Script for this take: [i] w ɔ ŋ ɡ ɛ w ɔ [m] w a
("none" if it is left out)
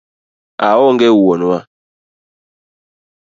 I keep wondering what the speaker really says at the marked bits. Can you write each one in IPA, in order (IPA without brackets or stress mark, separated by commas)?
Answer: a, n